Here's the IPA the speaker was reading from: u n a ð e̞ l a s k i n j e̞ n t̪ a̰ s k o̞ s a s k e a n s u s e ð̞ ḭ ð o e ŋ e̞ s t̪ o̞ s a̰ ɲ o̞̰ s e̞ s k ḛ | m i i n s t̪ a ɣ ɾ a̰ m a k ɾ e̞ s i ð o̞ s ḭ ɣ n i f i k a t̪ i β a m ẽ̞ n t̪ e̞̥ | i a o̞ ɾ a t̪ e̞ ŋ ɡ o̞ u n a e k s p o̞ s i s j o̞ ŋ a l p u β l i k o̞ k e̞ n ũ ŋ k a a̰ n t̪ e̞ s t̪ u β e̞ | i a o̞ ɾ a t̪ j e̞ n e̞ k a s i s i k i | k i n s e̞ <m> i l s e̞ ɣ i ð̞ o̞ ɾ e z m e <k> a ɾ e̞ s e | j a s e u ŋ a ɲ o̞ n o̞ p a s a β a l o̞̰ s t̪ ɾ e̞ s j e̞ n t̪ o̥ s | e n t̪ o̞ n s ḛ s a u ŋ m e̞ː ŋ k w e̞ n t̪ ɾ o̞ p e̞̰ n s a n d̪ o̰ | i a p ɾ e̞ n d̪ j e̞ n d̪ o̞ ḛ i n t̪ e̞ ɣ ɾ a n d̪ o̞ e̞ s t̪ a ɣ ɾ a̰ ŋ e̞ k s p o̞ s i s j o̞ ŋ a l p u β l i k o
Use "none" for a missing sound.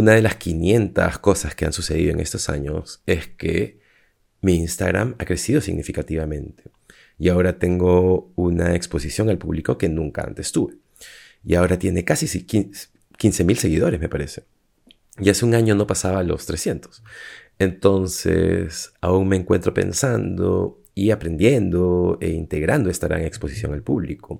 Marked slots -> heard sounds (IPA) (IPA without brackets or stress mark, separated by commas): m, p